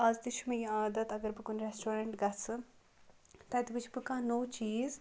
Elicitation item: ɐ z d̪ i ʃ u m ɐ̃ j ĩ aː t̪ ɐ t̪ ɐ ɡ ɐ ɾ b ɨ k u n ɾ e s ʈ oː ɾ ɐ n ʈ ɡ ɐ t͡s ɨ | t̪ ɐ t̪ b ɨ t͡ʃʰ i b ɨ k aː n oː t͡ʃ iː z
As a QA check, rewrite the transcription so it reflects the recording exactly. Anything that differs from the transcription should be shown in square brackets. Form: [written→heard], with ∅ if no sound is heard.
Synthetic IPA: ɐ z d̪ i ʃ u m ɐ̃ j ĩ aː [t̪→d̪] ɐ t̪ ɐ ɡ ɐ ɾ b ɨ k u n ɾ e s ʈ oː ɾ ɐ [n→ɳ] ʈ ɡ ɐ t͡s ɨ | t̪ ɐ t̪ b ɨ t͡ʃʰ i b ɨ k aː n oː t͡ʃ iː z